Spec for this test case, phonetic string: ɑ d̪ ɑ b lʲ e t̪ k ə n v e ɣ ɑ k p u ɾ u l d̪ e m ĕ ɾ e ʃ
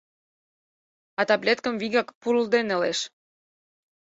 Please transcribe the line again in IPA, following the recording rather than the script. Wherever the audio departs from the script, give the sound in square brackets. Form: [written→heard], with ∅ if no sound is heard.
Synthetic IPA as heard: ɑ [d̪→t̪] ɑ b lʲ e t̪ k ə [n→m] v [e→i] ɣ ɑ k p u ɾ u l d̪ e [m→n] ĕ [ɾ→l] e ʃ